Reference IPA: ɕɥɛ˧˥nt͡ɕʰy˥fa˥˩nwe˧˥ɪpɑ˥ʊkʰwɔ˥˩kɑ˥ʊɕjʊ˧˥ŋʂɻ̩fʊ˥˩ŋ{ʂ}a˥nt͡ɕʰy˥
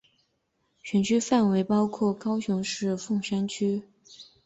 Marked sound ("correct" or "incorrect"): correct